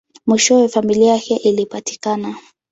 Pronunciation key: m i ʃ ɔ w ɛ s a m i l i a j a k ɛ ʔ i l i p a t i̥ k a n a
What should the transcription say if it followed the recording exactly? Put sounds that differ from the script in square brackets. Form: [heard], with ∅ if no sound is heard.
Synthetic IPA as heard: m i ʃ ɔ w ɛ [f] a m i l i a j a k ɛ ʔ i l i p a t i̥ k a n a

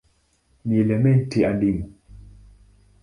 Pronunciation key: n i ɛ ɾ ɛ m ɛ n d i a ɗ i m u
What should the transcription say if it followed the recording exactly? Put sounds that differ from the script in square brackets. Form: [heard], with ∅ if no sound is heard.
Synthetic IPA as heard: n i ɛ [l] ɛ m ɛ n [t] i a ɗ i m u

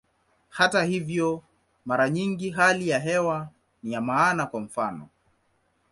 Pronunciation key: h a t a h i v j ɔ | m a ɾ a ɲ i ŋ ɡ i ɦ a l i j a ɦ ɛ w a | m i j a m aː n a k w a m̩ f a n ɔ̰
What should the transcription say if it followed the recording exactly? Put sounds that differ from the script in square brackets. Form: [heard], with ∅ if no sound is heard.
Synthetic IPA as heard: h a t a h i v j ɔ | m a ɾ a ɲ i ŋ ɡ i ɦ a l i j a ɦ ɛ w a | [n] i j a m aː n a k w a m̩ f a n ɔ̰

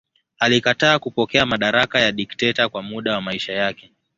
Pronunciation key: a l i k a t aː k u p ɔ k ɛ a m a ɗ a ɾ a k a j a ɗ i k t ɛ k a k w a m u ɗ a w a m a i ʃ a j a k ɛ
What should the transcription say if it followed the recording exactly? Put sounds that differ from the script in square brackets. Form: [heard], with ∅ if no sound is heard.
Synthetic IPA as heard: a l i k a t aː k u p ɔ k ɛ a m a ɗ a ɾ a k a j a ɗ i k t ɛ [t] a k w a m u ɗ a w a m a i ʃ a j a k ɛ

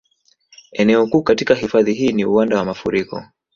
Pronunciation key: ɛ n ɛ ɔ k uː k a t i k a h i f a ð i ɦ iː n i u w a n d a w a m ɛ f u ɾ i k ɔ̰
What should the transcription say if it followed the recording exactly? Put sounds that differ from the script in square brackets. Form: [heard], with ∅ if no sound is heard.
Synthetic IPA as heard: ɛ n ɛ ɔ k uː k a t i k a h i f a ð i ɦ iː n i u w a n d a w a m [a] f u ɾ i k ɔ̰

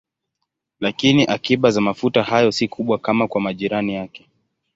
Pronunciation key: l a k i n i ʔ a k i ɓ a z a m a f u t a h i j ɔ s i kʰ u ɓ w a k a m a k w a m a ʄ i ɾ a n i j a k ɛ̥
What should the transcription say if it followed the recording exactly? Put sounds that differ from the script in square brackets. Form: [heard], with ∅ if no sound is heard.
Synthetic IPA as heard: l a k i n i ʔ a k i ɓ a z a m a f u t a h [a] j ɔ s i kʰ u ɓ w a k a m a k w a m a ʄ i ɾ a n i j a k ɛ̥

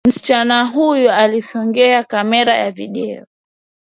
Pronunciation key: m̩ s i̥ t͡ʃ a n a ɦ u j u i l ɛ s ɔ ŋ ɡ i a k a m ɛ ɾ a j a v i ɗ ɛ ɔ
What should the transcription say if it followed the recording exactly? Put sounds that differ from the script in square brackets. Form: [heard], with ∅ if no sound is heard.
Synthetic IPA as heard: m̩ s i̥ t͡ʃ a n a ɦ u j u [a] l [i] s ɔ ŋ ɡ [ɛ] a k a m ɛ ɾ a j a v i ɗ ɛ ɔ

